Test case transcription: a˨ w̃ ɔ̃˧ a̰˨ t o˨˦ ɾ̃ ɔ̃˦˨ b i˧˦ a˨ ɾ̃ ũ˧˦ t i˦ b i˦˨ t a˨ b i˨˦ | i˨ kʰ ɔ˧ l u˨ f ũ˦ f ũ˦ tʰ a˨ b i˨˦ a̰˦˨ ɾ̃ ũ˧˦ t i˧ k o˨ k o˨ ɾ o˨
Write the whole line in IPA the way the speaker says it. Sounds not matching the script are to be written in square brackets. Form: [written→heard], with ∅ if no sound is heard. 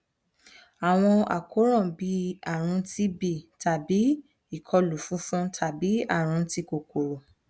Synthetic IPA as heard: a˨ w̃ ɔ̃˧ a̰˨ [t→k] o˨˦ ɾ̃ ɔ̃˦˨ b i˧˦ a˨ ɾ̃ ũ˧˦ t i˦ b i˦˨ t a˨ b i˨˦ | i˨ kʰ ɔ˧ l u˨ f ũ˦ f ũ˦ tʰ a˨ b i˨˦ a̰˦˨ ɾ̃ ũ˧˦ t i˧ k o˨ k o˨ ɾ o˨

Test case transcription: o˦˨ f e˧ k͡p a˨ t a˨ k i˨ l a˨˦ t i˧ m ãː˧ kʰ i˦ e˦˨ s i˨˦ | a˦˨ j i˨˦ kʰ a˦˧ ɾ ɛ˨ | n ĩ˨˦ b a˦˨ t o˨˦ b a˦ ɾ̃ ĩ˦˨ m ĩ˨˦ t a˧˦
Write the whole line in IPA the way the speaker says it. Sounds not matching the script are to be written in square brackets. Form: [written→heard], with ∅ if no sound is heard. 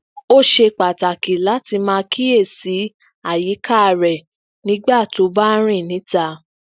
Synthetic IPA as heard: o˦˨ [f→ʃ] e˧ k͡p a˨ t a˨ k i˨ l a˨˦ t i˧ m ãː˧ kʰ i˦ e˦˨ s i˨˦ | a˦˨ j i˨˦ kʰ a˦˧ ɾ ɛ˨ | n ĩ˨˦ [b→ɡ͡b] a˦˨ t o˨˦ b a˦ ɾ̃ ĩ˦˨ [m→n] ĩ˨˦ t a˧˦

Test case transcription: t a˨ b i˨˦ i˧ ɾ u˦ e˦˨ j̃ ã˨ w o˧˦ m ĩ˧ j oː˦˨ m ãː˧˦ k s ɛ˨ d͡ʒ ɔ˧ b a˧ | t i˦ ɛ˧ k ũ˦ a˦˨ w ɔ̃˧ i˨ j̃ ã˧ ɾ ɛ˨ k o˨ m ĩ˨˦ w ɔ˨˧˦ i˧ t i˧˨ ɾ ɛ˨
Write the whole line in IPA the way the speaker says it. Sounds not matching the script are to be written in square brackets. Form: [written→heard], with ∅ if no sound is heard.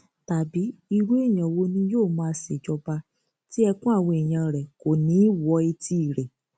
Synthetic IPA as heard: t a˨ b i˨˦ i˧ ɾ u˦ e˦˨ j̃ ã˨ w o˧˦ [m→n] ĩ˧ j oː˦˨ m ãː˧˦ [k→∅] s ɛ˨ d͡ʒ ɔ˧ b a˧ | t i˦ ɛ˧ k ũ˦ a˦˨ w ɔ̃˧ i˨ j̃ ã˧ ɾ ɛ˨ k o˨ [m→n] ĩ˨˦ w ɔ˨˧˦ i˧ t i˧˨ ɾ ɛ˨

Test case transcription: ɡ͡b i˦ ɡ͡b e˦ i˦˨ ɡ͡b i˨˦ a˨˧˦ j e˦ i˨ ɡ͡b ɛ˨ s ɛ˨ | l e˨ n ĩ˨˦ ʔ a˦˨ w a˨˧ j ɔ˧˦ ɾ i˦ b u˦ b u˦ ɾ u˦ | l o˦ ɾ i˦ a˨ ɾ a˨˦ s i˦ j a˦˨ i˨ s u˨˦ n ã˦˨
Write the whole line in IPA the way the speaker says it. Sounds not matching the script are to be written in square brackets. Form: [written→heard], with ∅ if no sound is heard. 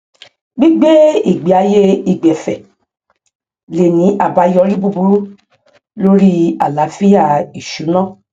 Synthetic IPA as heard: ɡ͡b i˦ ɡ͡b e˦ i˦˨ ɡ͡b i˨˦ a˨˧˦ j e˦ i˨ ɡ͡b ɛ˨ [s→f] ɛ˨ | l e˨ n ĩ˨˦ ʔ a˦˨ [w→b] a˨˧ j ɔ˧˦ ɾ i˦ b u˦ b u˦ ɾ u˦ | l o˦ ɾ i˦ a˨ [ɾ→l] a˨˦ [s→f] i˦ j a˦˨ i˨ [s→ʃ] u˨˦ n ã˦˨

